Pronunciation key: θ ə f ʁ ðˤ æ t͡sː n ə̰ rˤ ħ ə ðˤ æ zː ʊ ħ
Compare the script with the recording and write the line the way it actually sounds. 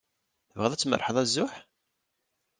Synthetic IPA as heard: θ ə v ʁ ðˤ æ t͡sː m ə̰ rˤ ħ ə ðˤ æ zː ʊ ħ

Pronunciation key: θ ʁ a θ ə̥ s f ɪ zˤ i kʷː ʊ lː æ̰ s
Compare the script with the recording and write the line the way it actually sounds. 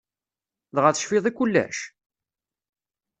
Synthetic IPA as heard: ð ʁ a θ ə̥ ʃ f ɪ ðˤ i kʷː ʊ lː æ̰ ʃ

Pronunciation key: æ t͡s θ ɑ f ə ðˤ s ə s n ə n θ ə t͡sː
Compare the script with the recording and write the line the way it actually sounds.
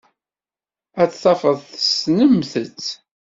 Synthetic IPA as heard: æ t͡s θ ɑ f ə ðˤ θ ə s n ə m θ ə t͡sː

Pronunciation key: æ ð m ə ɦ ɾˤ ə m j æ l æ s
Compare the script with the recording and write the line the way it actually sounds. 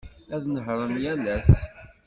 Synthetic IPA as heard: æ ð n ə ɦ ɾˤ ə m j æ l æ s

